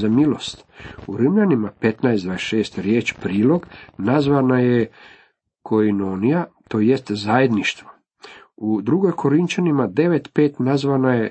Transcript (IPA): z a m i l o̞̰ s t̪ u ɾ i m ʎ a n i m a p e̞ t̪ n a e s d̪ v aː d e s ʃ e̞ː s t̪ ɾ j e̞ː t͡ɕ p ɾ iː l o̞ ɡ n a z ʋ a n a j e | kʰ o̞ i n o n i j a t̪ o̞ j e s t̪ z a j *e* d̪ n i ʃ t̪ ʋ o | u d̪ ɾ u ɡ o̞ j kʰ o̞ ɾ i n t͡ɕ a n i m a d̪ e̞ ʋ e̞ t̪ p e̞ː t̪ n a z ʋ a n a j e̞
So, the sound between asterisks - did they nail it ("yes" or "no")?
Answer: yes